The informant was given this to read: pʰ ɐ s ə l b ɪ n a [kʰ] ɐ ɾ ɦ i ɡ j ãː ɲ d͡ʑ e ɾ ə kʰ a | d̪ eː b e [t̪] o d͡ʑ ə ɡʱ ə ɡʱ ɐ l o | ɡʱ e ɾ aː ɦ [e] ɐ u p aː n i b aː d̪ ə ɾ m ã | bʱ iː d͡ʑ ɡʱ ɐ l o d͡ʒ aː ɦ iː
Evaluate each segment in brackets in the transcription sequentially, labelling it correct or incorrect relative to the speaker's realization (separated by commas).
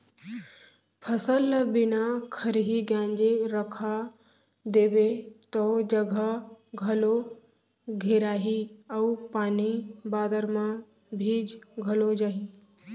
correct, correct, incorrect